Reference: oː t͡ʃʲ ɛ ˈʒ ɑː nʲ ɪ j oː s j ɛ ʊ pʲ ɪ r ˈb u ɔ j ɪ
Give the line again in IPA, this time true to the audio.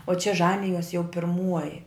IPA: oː t͡ʃʲ ɛ ˈʒ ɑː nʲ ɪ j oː s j ɛ ʊ pʲ ɪ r ˈm u ɔ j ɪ